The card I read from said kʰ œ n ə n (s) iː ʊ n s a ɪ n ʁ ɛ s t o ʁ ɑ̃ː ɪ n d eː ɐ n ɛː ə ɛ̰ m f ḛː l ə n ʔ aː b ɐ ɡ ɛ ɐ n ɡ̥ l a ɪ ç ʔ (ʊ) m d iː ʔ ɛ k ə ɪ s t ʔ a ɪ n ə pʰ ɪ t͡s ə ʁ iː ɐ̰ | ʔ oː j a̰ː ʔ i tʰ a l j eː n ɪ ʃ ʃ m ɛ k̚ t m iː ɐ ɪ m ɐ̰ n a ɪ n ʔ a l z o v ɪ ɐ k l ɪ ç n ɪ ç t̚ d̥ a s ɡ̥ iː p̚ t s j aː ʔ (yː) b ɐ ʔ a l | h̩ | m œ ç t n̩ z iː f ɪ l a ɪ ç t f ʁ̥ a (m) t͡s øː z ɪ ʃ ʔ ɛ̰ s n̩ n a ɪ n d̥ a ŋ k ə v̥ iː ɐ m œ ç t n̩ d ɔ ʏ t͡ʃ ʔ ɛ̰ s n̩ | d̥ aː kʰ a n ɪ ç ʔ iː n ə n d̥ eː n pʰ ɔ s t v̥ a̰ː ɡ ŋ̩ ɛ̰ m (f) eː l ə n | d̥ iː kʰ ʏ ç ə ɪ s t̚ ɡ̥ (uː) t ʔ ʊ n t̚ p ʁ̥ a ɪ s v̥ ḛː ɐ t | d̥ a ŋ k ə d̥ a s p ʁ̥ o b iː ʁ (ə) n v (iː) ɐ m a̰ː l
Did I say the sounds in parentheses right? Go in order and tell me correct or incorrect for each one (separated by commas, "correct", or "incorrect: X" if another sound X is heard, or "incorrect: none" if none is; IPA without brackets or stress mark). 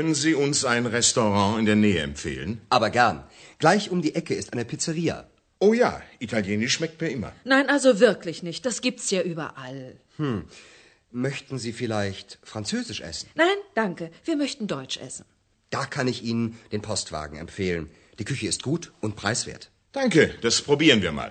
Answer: incorrect: z, correct, correct, incorrect: n, correct, correct, correct, correct